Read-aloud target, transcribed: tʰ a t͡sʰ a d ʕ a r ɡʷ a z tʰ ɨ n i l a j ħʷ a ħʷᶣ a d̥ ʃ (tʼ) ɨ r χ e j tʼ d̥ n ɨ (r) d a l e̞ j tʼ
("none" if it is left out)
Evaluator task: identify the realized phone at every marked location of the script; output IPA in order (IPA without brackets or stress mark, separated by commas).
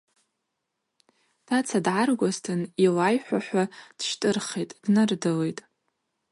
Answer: tʼ, r